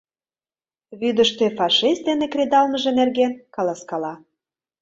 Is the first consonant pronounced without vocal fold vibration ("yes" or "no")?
no